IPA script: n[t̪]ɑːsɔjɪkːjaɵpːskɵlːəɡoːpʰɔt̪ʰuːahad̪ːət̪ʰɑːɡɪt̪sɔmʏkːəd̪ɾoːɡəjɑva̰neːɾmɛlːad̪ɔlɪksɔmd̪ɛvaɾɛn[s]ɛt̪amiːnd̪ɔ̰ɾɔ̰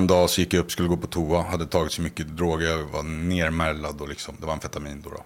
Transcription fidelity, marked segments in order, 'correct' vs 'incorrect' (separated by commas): incorrect, incorrect